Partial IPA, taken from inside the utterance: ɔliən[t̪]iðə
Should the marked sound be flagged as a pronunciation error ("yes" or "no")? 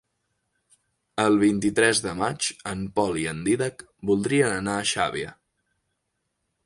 yes